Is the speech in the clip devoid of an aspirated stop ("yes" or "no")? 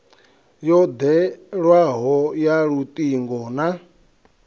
yes